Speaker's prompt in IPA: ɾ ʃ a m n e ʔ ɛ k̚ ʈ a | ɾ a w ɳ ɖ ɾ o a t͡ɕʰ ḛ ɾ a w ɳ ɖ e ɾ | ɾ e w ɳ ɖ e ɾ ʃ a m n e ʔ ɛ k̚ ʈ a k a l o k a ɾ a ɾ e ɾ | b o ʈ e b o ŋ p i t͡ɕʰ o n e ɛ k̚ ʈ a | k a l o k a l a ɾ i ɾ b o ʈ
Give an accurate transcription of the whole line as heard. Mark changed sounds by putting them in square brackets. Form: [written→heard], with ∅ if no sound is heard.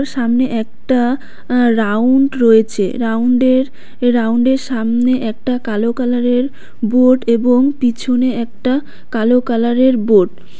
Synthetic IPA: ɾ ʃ a m n e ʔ ɛ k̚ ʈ a | ɾ a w ɳ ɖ ɾ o [a→e] t͡ɕʰ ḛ ɾ a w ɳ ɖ e ɾ | ɾ [e→a] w ɳ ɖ e ɾ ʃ a m n e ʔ ɛ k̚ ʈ a k a l o k a [ɾ→l] a ɾ e ɾ | b o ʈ e b o ŋ p i t͡ɕʰ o n e ɛ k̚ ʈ a | k a l o k a l a ɾ [i→e] ɾ b o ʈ

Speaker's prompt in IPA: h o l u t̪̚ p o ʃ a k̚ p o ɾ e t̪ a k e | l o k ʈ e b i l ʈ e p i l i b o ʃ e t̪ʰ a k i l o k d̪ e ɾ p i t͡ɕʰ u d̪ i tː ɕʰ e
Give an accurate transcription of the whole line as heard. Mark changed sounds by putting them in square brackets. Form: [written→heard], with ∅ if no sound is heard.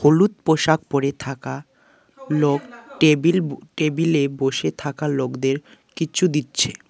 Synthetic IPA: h o l u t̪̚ p o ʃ a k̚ p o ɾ e [t̪→t̪ʰ] a k [e→a] | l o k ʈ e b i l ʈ e [p→b] i l [i→e] b o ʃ e t̪ʰ a k [i→a] l o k d̪ e ɾ [p→k] i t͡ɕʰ u d̪ i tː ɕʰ e

